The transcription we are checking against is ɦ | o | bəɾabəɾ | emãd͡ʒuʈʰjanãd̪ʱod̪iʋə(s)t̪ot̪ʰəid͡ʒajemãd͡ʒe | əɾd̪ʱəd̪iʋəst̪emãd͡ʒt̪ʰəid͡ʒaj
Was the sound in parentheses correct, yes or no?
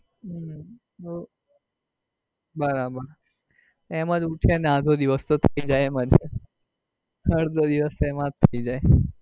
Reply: yes